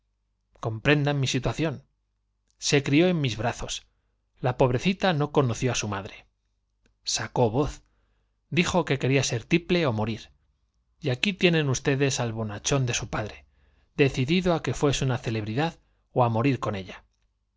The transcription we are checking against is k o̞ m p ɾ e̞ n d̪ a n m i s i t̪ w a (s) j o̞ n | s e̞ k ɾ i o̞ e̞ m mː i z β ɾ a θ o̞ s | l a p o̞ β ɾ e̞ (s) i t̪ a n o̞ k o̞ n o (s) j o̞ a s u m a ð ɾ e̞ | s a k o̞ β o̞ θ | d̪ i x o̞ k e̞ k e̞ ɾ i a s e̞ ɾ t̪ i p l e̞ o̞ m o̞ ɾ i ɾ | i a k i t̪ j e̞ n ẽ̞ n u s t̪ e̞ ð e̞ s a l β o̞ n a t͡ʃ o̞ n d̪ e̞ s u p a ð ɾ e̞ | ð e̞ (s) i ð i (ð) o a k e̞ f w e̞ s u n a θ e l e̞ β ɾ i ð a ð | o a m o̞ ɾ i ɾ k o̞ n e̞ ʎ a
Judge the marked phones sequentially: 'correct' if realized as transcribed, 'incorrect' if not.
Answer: incorrect: θ, incorrect: θ, incorrect: θ, incorrect: θ, correct

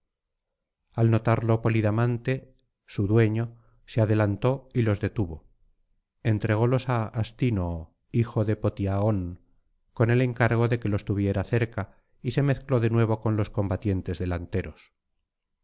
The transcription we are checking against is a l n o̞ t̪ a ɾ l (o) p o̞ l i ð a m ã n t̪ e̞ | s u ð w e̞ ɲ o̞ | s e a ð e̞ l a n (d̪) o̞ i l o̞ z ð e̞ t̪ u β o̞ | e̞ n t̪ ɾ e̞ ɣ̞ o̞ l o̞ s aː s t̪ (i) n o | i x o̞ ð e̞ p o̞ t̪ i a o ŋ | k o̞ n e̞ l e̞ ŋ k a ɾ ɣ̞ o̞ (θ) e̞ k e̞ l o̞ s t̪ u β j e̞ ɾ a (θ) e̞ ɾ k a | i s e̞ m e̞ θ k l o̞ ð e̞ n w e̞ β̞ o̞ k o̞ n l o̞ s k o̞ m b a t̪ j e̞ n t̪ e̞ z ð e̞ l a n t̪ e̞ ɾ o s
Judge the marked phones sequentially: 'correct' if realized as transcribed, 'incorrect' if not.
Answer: correct, incorrect: t̪, correct, incorrect: ð, correct

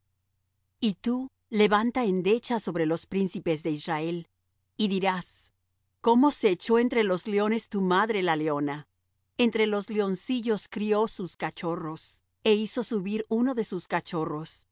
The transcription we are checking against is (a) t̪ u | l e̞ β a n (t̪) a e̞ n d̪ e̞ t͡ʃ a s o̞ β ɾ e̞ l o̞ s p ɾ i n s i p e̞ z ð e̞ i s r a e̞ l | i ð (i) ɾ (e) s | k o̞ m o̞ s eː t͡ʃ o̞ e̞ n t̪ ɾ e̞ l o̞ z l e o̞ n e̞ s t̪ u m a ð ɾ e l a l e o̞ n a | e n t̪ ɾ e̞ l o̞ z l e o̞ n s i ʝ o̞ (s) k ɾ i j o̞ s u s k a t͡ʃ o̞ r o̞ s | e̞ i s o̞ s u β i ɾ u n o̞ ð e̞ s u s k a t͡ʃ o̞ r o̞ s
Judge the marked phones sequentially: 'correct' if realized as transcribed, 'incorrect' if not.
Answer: incorrect: i, correct, correct, incorrect: a, correct

